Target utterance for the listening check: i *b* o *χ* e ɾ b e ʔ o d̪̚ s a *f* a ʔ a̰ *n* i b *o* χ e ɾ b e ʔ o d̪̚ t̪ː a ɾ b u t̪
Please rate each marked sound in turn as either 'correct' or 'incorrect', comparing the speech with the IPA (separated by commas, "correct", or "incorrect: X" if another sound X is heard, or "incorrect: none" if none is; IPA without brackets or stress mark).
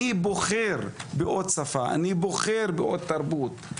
correct, correct, correct, correct, correct